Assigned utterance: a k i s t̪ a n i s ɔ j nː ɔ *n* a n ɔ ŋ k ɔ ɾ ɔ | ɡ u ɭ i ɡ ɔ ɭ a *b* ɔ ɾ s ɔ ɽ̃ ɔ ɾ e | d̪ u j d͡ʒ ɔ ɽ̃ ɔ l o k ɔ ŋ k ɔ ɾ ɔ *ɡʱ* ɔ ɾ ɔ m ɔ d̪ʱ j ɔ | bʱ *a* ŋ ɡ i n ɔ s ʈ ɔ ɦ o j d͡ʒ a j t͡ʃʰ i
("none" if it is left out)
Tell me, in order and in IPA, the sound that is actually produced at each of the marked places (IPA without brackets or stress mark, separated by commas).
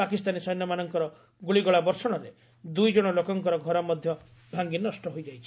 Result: m, b, ɡʱ, a